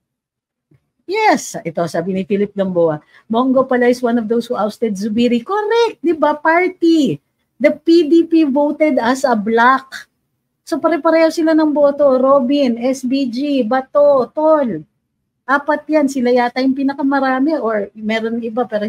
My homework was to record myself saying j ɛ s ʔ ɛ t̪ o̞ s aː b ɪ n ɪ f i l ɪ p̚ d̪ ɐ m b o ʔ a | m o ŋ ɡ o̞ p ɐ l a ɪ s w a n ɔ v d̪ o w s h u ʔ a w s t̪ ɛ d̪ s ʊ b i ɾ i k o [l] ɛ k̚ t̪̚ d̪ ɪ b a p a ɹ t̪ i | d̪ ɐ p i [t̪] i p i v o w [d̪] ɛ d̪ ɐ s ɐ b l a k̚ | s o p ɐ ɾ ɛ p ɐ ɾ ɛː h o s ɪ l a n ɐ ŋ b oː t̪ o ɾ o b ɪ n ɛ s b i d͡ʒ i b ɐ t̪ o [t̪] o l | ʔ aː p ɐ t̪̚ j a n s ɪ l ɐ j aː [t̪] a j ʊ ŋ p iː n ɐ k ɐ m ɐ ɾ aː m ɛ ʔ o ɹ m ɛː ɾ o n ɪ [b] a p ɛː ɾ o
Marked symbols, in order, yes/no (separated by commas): no, no, no, yes, yes, yes